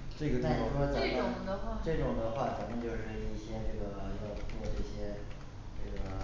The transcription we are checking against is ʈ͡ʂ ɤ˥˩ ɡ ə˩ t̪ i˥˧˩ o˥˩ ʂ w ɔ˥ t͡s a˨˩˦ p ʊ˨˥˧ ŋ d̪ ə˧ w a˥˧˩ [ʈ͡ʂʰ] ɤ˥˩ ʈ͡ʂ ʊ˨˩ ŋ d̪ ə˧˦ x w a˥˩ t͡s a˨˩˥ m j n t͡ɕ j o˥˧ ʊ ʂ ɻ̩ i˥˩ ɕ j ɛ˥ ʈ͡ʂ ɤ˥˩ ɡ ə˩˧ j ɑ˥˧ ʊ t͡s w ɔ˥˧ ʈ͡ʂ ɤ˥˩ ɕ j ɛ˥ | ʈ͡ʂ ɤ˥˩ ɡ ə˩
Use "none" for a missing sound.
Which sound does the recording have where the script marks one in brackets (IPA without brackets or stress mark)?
ʈ͡ʂ